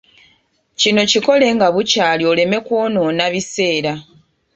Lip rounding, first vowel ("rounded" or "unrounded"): unrounded